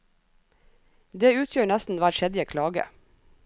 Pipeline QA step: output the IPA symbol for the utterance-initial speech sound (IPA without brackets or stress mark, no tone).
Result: d̪